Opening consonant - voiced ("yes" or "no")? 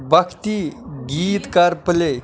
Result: yes